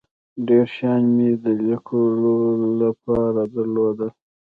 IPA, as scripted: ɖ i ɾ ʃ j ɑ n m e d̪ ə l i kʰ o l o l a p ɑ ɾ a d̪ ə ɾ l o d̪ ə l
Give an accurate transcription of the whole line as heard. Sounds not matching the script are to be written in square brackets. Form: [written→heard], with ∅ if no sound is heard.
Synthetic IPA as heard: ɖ [i→e] ɾ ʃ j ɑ n m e d̪ ə l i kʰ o l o l a p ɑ ɾ a d̪ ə ɾ l o d̪ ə l